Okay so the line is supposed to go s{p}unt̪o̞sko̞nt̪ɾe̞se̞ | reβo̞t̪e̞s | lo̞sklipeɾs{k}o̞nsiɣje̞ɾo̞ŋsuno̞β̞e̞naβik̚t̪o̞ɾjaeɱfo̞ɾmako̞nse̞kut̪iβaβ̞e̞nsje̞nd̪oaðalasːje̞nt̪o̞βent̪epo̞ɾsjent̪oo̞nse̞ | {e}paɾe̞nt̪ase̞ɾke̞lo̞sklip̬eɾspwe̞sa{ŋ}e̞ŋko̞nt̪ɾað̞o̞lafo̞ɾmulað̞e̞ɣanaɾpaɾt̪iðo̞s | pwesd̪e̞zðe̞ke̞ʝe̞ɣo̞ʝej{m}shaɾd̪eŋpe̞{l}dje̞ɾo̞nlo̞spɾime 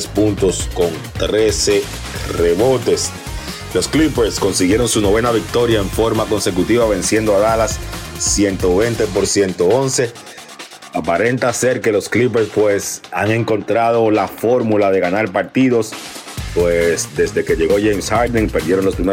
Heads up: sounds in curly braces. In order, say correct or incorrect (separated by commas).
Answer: correct, correct, incorrect, correct, correct, incorrect